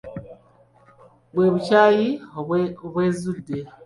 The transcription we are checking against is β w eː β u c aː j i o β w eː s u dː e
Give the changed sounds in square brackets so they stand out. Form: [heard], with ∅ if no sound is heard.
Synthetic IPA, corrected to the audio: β w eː β u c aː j i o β w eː [z] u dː e